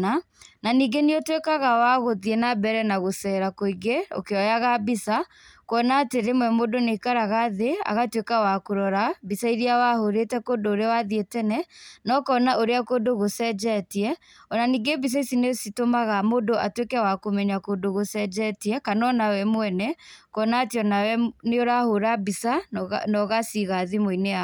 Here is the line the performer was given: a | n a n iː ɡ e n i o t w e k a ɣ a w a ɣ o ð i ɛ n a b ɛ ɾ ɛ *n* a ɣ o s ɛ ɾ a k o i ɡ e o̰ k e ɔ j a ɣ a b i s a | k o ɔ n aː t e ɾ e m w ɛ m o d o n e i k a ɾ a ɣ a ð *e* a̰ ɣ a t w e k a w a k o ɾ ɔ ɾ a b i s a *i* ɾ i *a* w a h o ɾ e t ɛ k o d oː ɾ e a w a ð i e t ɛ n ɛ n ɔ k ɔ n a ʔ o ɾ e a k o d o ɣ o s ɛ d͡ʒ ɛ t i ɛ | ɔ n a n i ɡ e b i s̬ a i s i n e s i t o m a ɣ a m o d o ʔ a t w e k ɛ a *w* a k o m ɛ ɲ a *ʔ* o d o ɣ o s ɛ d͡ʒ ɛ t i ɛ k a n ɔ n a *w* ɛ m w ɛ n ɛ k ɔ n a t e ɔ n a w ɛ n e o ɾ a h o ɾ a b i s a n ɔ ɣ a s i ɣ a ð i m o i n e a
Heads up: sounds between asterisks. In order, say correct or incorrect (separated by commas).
correct, correct, correct, correct, correct, incorrect, correct